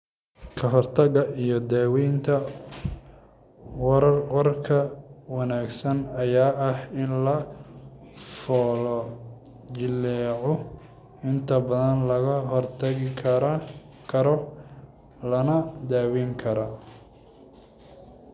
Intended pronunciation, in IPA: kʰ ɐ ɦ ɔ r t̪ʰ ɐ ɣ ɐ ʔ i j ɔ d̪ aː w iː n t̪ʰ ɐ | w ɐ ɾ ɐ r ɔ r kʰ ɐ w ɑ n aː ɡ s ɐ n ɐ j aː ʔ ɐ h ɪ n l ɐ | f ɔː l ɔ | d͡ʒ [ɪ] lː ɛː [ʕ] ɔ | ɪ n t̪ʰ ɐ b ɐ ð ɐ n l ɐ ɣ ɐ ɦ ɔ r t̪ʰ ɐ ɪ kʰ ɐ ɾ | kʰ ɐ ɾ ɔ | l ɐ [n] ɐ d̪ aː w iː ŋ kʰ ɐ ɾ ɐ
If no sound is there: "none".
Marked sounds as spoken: ɪ, ʕ, n

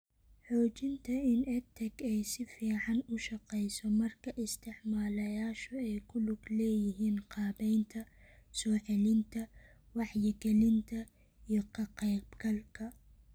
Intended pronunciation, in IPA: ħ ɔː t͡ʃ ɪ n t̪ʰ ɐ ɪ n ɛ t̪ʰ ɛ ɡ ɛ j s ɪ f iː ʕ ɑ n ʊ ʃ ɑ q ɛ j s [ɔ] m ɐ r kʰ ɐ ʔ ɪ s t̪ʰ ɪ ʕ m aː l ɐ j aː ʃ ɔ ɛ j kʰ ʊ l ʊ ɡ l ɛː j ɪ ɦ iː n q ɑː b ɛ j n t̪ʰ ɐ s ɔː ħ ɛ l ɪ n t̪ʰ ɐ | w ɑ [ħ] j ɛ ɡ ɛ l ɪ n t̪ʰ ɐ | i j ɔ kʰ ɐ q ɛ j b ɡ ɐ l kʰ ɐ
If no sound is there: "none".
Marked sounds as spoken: ɔ, ħ

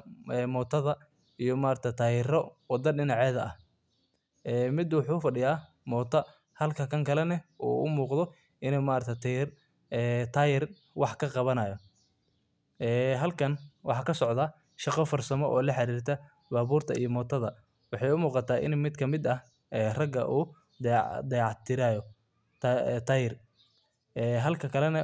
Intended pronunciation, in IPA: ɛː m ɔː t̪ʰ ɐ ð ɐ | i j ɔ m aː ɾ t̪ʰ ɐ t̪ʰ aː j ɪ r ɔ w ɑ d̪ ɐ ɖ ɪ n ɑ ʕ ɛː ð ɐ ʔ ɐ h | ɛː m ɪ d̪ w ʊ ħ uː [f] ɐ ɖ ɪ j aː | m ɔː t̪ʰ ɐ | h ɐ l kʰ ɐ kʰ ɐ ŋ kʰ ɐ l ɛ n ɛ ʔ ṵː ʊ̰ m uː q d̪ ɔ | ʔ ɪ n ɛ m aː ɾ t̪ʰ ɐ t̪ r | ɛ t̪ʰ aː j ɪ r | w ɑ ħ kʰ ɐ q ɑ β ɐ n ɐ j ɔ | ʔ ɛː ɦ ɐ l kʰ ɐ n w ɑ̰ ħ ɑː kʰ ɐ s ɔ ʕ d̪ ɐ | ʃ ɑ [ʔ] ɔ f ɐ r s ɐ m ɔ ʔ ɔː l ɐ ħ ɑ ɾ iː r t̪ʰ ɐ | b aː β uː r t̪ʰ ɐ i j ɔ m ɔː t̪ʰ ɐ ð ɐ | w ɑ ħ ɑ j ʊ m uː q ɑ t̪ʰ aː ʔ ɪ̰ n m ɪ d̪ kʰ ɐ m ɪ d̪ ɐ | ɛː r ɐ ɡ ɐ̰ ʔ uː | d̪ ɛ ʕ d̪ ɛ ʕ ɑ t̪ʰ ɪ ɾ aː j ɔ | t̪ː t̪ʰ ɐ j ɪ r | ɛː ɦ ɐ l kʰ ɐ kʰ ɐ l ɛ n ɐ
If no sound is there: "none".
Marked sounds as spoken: f, q

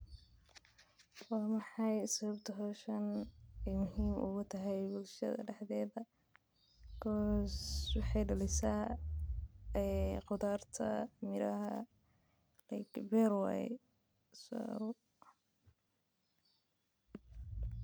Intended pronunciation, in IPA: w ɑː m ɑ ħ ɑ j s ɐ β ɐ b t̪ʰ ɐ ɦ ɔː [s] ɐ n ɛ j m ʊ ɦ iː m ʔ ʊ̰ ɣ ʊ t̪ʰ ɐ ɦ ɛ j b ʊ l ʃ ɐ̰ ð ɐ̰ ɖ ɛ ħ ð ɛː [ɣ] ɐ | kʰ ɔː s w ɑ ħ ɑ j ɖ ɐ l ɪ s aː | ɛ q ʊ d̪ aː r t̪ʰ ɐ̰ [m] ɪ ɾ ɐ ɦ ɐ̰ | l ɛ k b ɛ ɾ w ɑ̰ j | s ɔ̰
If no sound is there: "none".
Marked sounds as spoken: ʃ, ð, m

